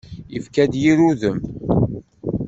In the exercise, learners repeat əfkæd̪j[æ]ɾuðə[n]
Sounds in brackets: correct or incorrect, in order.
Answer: incorrect, incorrect

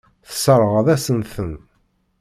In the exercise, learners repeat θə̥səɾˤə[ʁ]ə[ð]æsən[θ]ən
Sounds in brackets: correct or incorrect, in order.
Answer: correct, correct, correct

